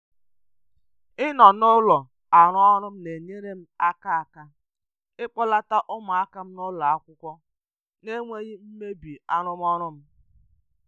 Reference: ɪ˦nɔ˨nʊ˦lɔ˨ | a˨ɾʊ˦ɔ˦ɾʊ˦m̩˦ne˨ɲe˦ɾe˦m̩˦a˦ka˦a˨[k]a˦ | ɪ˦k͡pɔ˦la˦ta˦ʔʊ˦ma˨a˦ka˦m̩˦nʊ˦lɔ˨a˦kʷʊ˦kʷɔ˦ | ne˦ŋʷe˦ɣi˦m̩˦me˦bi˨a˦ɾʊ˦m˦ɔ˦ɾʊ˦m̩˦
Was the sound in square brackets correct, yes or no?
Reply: yes